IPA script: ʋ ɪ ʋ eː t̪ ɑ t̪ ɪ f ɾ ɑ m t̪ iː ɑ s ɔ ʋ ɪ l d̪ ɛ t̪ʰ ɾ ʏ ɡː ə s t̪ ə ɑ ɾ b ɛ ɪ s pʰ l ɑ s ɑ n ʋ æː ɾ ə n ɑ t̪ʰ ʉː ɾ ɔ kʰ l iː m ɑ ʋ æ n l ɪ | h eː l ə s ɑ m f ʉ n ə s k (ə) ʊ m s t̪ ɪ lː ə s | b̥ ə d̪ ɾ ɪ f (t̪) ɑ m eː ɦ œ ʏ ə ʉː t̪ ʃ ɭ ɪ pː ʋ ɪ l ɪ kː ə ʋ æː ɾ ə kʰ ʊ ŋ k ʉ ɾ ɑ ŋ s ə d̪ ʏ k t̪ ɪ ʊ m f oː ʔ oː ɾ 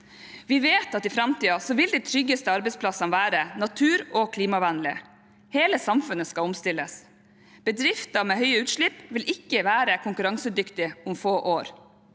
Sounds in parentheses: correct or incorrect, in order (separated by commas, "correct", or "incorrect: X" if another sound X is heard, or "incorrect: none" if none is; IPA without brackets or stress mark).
incorrect: ɑ, correct